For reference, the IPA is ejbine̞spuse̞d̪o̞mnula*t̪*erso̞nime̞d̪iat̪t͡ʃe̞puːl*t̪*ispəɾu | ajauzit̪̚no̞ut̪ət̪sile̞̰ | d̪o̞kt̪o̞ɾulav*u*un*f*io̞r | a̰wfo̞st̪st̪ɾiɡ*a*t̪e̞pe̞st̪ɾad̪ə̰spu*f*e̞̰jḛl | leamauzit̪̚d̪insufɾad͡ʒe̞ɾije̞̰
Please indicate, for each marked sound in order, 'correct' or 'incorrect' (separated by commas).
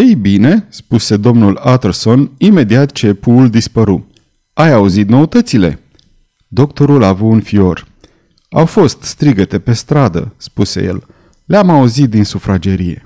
correct, incorrect, correct, correct, incorrect, incorrect